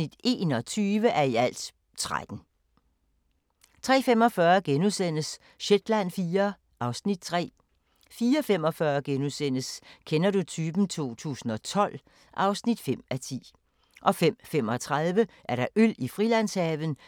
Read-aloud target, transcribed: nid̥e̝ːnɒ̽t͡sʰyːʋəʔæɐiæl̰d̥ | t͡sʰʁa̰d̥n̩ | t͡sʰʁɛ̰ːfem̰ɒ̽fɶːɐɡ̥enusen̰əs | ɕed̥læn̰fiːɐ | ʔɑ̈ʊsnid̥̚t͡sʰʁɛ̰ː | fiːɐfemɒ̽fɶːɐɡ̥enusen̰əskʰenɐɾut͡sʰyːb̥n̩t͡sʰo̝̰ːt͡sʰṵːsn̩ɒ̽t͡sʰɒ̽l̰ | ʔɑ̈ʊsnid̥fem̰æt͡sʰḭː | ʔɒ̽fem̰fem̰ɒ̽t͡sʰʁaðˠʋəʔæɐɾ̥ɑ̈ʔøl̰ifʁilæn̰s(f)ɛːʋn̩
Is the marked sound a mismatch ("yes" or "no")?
yes